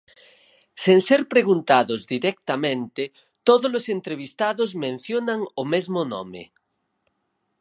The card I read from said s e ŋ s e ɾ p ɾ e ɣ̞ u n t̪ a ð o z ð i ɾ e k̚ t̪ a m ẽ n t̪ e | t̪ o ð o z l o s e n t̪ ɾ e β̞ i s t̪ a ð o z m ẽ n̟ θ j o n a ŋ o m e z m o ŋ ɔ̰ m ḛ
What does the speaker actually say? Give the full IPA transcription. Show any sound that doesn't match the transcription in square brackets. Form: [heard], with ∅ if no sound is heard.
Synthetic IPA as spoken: s e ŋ s e ɾ p ɾ e ɣ̞ u n t̪ a ð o z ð i ɾ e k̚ t̪ a m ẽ n t̪ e | t̪ o ð o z l o s e n t̪ ɾ e β̞ i s t̪ a ð o z m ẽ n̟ θ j o n a ŋ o m e z m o [n] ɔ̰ m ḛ